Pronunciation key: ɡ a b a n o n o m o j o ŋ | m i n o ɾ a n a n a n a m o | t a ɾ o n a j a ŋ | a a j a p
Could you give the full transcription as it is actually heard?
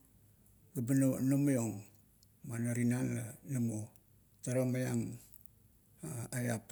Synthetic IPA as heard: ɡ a b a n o n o m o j o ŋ | m a n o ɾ i n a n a n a m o | t a ɾ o m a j a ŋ | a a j a p

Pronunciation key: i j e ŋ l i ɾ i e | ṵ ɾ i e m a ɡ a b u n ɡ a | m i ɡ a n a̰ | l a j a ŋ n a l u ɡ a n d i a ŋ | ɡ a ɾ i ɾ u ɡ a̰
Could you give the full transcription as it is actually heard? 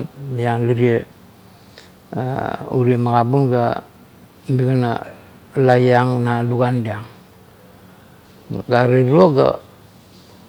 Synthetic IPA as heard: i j a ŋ l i ɾ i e | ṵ ɾ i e m a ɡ a b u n ɡ a | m i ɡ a n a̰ | l a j a ŋ n a l u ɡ a n d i a ŋ | ɡ a ɾ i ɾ o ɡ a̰

